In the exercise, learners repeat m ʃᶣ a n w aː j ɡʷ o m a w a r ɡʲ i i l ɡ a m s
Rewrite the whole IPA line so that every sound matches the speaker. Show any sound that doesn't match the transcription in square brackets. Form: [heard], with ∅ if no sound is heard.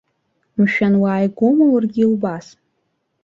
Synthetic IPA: m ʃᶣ a n w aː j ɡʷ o m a w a r ɡʲ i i l [b] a [∅] s